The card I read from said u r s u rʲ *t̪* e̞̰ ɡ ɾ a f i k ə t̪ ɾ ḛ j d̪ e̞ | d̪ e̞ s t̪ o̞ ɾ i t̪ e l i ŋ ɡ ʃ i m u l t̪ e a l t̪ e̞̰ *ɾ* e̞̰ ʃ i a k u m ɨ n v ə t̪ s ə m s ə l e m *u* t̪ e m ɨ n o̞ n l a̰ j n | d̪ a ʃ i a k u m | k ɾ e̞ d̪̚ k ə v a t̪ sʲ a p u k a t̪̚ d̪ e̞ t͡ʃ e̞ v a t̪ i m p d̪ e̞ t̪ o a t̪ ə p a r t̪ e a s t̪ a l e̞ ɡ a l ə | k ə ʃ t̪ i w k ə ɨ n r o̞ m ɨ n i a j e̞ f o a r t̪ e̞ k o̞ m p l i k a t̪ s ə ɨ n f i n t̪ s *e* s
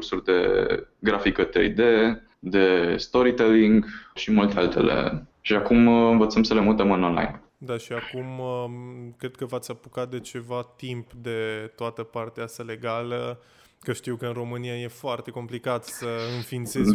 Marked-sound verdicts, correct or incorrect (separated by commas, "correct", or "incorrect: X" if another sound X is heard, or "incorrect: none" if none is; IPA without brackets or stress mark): incorrect: d̪, incorrect: l, correct, correct